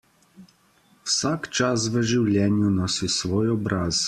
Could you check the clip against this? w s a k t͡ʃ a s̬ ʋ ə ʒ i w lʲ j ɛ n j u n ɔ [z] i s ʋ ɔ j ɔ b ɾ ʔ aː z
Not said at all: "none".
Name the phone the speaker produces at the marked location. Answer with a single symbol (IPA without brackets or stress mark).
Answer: s